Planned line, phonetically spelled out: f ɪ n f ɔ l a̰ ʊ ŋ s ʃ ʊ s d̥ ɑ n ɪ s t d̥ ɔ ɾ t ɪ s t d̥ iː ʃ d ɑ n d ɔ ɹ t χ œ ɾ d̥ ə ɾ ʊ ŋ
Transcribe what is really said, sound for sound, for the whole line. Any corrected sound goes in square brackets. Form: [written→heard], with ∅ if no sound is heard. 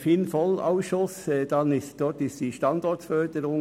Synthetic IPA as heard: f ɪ n f ɔ l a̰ ʊ [ŋ→∅] s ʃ ʊ s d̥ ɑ n ɪ s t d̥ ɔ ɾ t ɪ s t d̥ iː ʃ [d→t] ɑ n d ɔ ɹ t [χ→f] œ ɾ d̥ ə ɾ ʊ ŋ